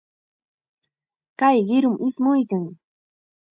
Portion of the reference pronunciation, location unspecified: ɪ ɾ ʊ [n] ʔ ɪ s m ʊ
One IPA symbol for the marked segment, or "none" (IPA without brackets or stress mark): m